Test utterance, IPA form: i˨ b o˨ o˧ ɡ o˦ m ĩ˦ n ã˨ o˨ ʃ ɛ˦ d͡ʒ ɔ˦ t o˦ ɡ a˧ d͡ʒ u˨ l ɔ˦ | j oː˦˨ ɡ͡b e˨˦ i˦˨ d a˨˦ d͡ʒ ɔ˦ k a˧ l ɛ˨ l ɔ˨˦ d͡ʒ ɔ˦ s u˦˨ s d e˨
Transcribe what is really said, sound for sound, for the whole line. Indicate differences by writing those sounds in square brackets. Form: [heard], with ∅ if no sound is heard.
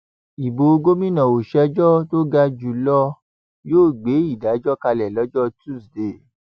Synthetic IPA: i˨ b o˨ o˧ ɡ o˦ m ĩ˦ n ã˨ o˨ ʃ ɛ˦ d͡ʒ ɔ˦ t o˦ ɡ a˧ d͡ʒ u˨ l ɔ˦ | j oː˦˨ ɡ͡b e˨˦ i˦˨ d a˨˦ d͡ʒ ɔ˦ k a˧ l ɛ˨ l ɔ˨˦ d͡ʒ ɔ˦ [t] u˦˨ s d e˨